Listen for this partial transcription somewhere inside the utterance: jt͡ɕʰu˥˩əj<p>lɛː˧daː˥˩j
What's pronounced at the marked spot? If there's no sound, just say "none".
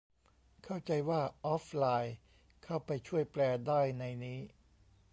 p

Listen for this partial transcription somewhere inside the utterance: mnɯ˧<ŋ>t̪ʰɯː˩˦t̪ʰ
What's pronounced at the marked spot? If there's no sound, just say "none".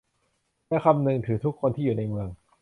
ŋ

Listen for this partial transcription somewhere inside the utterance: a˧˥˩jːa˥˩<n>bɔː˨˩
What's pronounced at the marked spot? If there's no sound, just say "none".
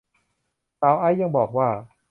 ŋ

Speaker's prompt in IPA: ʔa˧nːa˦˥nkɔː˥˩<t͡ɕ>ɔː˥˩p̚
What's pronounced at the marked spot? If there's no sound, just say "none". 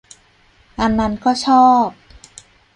t͡ɕʰ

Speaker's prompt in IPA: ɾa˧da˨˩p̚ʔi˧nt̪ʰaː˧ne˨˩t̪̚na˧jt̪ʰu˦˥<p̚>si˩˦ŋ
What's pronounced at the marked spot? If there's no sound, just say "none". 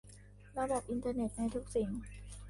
k̚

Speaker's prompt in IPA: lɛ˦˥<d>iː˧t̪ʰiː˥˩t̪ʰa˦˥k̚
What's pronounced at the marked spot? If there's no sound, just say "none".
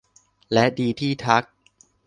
d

